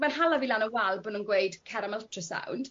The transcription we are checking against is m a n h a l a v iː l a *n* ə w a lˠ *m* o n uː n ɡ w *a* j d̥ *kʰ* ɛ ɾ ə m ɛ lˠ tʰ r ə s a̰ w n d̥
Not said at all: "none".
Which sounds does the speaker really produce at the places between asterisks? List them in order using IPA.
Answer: n, b, e, kʰ

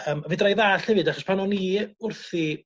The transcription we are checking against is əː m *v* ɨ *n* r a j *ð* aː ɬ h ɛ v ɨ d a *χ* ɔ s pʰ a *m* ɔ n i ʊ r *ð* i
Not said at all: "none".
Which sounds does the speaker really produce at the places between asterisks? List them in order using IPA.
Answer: v, d, ð, χ, n, θ

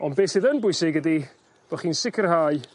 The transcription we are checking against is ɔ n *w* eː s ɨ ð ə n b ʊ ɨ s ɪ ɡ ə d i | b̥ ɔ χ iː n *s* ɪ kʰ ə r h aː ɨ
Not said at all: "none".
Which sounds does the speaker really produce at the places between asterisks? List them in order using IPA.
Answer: b, s

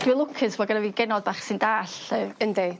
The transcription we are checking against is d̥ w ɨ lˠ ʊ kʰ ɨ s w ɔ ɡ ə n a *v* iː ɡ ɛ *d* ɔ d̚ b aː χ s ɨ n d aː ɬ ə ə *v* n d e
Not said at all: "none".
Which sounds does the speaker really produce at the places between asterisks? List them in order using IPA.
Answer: v, n, none

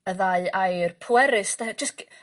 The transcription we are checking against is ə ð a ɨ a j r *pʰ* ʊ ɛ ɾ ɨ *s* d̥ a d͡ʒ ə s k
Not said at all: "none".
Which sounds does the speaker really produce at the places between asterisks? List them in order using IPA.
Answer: pʰ, s

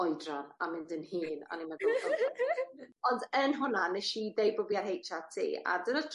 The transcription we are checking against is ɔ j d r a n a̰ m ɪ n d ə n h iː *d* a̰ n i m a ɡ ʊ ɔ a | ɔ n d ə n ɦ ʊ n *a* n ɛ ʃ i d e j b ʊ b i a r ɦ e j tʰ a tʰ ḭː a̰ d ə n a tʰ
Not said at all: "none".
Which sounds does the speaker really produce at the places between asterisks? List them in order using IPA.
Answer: n, a

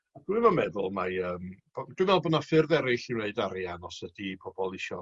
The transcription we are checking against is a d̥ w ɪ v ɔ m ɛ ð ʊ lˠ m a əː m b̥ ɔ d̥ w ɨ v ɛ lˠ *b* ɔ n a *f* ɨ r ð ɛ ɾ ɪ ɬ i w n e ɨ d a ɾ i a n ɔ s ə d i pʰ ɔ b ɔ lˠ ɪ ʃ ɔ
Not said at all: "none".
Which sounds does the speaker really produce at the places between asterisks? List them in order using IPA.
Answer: b, f

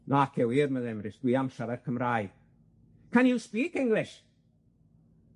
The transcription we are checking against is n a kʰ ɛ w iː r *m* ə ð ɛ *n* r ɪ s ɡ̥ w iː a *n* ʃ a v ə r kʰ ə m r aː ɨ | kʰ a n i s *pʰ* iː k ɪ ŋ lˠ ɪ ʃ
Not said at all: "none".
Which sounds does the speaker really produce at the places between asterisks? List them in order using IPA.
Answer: m, m, m, p

